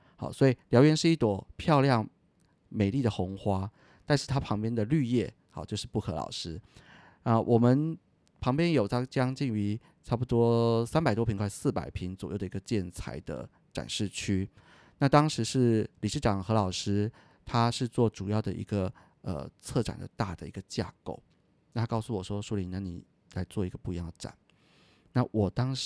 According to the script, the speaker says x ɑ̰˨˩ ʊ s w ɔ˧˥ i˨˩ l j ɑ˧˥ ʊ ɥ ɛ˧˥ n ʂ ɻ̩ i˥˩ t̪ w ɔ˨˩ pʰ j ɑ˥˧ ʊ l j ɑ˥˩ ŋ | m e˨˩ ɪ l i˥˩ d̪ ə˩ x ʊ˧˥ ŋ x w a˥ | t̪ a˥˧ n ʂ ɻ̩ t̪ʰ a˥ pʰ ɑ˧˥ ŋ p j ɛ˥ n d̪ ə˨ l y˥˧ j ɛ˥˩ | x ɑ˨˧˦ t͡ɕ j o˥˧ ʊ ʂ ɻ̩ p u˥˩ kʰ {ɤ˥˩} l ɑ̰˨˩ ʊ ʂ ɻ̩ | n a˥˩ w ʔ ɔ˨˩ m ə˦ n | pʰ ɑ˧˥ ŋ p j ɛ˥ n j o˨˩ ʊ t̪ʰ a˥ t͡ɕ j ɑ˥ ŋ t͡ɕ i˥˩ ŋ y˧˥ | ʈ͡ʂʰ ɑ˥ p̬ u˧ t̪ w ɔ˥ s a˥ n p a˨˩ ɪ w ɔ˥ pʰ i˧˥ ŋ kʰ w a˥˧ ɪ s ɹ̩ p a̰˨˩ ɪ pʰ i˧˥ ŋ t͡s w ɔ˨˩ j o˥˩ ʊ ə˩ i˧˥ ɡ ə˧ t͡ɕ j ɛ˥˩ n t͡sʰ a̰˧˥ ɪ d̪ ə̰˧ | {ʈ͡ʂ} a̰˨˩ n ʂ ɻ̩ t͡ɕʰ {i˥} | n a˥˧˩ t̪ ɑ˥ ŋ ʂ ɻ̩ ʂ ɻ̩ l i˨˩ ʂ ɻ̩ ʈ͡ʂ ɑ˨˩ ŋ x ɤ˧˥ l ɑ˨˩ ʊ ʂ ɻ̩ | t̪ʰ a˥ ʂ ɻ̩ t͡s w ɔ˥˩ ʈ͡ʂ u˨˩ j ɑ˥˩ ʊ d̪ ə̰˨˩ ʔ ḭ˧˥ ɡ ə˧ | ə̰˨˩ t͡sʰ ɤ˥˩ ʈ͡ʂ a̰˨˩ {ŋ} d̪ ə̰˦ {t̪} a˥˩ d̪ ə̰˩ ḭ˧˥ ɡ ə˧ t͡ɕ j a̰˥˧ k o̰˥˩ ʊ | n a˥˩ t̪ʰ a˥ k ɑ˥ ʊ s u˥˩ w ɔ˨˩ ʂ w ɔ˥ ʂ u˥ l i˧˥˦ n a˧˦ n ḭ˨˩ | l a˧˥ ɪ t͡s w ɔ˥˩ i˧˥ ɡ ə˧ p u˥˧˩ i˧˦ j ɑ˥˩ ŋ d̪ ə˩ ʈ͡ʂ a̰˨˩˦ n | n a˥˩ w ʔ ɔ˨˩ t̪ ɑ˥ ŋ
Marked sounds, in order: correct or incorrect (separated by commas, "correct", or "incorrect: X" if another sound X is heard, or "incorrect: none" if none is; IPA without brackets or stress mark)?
incorrect: ɤ˧˥, correct, incorrect: y˥, incorrect: n, correct